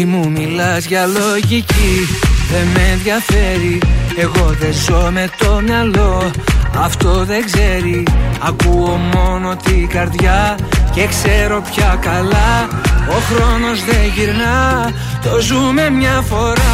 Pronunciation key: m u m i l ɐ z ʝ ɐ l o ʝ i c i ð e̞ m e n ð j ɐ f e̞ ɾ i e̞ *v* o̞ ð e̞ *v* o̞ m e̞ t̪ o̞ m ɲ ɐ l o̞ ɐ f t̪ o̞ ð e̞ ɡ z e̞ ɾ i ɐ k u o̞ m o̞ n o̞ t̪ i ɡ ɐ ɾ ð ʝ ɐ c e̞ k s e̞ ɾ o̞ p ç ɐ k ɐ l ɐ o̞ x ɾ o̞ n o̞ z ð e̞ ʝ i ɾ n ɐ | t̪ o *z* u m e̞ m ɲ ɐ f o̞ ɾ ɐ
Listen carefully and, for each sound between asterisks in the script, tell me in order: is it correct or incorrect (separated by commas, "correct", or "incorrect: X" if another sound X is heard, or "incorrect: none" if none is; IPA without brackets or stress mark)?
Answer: incorrect: ɣ, incorrect: z, correct